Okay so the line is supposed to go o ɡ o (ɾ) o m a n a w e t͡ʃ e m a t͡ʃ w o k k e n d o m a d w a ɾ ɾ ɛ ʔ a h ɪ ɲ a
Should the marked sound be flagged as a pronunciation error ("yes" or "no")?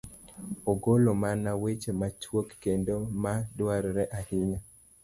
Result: yes